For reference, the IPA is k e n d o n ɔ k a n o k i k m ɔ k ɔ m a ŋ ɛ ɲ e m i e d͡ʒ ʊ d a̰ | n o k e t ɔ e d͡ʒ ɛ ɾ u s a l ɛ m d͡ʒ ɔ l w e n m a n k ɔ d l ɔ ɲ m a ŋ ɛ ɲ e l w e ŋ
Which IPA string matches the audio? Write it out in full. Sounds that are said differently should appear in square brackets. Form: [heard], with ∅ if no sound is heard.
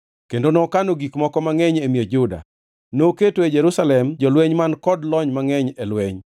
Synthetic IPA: k e n d o n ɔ k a n o [ɡ] i k m ɔ k ɔ m a ŋ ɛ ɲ e m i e d͡ʒ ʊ d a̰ | n o k e t [o] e d͡ʒ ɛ ɾ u s a l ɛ m d͡ʒ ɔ l w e [ɲ] m a n k ɔ d l ɔ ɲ m a ŋ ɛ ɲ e l w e [ɲ]